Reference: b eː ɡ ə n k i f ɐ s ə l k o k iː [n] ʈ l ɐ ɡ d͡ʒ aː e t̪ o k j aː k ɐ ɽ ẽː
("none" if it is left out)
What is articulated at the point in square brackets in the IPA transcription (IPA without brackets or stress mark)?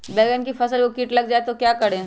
none